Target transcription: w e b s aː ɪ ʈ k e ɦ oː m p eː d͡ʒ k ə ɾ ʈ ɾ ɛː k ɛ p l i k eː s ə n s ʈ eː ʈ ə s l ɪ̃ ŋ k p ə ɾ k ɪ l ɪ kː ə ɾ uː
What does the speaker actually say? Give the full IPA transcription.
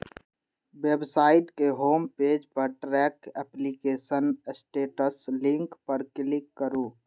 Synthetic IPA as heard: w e b s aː ɪ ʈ k e ɦ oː m p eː d͡ʒ p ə ɾ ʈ ɾ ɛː k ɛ p l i k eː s ə n s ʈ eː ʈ ə s l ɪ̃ ŋ k p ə ɾ k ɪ l ɪ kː ə ɾ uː